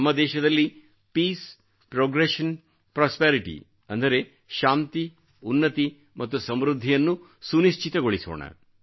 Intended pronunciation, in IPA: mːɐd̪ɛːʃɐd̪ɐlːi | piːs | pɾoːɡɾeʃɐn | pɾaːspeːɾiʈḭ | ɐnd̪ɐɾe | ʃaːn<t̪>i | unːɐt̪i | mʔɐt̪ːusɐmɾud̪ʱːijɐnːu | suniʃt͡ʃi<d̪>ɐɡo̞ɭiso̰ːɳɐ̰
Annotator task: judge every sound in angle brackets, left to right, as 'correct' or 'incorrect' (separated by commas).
correct, incorrect